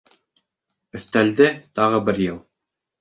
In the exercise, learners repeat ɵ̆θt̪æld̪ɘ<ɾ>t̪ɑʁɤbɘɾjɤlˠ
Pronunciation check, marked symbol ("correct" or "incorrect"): incorrect